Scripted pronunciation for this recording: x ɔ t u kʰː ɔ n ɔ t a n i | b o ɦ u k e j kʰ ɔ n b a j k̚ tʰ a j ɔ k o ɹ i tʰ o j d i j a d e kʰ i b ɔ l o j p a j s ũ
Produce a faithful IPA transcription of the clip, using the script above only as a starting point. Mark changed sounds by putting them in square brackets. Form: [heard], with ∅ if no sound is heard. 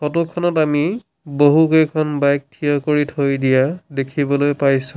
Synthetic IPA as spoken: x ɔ t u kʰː ɔ n ɔ t a [m] i | b o ɦ u k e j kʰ ɔ n b a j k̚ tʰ [i] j ɔ k o ɹ i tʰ o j d i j a d e kʰ i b ɔ l o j p a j s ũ